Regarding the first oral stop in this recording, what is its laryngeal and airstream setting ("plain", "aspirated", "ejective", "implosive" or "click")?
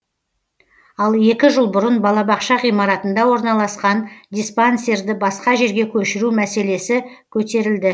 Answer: plain